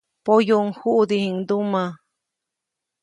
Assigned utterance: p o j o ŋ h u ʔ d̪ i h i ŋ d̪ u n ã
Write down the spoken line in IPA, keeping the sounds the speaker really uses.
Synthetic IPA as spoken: p o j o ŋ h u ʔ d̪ i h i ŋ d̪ u m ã

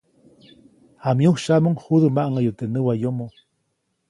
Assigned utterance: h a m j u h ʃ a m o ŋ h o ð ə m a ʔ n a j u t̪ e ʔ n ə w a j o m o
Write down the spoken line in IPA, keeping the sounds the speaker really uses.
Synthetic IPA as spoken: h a m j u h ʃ a m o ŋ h u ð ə m a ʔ ŋ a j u t̪ e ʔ n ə w a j o m o

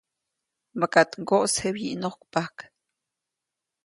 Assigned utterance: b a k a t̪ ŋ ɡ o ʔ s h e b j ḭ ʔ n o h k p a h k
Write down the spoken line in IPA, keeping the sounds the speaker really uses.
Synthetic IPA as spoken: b a k a t̪ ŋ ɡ o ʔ s h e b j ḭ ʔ n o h k p a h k

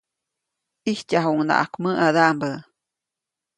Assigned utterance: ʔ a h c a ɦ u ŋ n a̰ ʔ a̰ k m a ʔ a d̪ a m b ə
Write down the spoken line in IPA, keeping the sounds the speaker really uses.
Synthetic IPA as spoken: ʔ i h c a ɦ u ŋ n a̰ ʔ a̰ k m ə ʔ a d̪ a m b ə

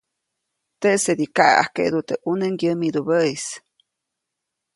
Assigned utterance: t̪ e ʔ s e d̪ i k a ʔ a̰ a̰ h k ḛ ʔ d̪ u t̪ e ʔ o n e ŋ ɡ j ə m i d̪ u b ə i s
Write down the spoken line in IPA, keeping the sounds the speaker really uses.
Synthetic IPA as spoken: t̪ e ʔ s e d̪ i k a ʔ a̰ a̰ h k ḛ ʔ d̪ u t̪ e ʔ u n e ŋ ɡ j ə m i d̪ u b ə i s

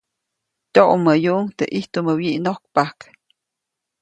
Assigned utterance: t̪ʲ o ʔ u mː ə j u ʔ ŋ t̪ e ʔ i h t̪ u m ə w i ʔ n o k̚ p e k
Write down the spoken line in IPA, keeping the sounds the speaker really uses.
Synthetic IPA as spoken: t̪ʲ o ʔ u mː ə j u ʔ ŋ t̪ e ʔ i h t̪ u m ə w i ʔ n o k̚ p a k

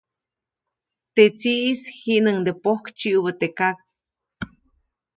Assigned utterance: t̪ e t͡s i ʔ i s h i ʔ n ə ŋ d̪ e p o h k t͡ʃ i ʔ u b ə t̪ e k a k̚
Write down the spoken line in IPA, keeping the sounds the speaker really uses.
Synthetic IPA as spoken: t̪ e t͡s i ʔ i s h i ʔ n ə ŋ d̪ e p o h k t͡ʃ i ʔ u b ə t̪ e k a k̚

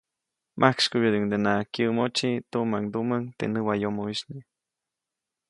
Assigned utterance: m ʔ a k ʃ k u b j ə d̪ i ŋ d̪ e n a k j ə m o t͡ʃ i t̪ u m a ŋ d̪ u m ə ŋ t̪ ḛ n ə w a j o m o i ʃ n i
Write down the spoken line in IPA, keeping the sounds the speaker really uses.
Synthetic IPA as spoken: m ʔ a k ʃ k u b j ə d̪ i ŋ d̪ e n a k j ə m o t͡ʃ i t̪ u m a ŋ d̪ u m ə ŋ t̪ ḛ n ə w a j o m o i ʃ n i

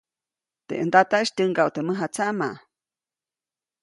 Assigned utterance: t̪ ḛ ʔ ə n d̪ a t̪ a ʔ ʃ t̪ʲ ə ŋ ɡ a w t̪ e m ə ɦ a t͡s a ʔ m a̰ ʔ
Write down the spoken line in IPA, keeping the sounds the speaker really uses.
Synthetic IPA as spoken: t̪ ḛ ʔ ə n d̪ a t̪ a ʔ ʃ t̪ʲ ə ŋ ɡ a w t̪ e m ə ɦ a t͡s a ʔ m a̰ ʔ

